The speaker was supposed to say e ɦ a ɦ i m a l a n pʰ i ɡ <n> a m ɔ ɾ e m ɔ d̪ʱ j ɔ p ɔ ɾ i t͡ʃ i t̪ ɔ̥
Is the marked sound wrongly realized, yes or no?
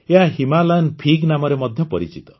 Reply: no